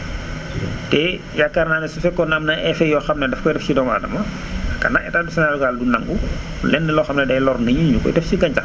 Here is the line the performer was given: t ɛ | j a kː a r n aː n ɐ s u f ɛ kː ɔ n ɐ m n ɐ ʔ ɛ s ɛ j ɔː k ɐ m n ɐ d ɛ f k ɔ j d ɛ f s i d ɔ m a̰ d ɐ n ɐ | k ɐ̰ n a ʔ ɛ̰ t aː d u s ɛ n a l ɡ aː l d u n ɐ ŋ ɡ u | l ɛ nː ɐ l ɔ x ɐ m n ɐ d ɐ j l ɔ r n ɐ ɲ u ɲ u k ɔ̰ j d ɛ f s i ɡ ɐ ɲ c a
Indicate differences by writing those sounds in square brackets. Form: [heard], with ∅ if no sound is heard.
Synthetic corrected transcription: t ɛ | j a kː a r n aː n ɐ s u f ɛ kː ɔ n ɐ m n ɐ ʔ ɛ [f] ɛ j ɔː [x] ɐ m n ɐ d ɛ f k ɔ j d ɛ f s i d ɔ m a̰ d ɐ [m] ɐ | k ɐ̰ n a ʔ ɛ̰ t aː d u s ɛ n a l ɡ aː l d u n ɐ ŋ ɡ u | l ɛ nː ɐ l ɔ x ɐ m n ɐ d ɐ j l ɔ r n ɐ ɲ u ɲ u k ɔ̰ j d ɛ f s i ɡ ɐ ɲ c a